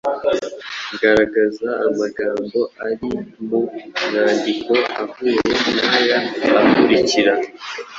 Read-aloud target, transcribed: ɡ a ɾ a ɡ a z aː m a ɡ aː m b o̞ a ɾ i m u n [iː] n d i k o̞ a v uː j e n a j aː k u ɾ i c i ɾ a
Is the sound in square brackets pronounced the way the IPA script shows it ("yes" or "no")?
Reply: no